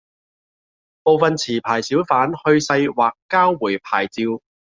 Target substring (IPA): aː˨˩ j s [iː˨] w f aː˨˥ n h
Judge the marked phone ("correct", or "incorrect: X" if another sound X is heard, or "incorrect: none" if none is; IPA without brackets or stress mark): incorrect: iː˨˥